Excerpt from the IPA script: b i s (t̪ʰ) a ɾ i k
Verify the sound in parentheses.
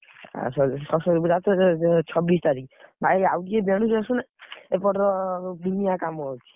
incorrect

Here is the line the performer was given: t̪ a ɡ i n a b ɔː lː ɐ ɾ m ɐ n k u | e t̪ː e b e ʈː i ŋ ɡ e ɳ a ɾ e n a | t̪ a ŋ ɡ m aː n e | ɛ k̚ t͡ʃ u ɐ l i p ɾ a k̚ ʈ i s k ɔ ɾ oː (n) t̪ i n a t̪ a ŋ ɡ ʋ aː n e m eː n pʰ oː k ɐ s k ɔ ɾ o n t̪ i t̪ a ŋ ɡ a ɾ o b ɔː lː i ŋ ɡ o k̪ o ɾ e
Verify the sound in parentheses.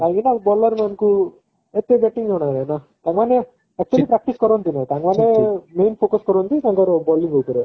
correct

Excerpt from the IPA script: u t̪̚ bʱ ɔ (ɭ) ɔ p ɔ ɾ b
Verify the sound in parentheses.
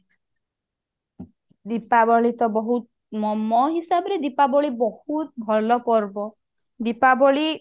incorrect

